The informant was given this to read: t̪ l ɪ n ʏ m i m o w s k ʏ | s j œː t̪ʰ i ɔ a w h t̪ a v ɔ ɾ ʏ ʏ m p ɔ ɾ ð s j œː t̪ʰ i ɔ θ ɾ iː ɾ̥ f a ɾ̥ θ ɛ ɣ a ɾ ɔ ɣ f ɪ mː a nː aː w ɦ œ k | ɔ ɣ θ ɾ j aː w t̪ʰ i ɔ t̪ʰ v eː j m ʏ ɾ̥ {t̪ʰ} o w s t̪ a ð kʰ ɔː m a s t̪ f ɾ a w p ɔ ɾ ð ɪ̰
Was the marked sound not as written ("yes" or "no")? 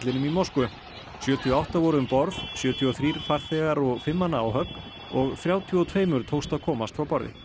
no